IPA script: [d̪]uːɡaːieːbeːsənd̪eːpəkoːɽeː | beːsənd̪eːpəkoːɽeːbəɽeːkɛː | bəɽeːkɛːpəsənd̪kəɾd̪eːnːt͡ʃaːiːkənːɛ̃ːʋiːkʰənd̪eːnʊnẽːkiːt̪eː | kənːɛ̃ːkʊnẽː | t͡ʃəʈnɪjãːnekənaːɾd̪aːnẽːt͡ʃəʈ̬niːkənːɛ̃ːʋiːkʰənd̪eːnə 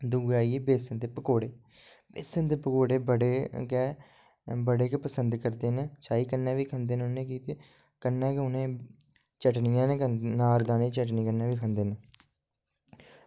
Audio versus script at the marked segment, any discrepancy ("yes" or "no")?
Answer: no